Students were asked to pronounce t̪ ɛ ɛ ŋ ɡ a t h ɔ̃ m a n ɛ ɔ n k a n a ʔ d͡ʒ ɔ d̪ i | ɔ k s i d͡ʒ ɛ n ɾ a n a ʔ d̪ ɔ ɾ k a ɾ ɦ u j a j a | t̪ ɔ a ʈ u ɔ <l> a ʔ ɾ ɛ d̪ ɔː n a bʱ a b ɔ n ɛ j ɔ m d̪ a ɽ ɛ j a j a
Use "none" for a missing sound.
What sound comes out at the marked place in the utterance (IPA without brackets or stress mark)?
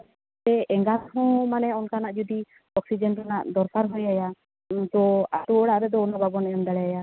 ɽ